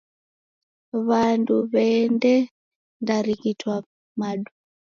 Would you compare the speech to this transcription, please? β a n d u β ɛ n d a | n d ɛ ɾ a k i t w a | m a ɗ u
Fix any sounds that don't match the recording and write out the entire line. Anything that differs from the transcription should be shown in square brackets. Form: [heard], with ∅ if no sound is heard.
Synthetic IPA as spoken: β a n d u β ɛ n d [ɛ] | n d [a] ɾ [i] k i t w a | m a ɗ u